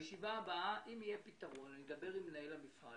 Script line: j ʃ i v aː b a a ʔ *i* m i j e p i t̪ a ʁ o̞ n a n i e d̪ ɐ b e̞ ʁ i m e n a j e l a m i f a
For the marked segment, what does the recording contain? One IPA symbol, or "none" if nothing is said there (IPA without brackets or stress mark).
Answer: i